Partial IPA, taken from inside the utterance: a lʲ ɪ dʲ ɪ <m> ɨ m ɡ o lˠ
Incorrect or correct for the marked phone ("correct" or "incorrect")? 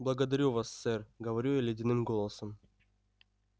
incorrect